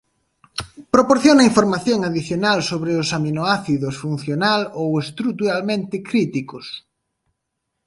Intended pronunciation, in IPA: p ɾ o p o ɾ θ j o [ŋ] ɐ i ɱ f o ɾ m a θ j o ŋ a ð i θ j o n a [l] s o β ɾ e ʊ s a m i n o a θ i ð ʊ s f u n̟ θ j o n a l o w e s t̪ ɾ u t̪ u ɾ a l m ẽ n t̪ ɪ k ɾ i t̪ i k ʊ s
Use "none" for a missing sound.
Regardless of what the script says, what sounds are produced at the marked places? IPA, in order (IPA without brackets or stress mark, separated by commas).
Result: n, l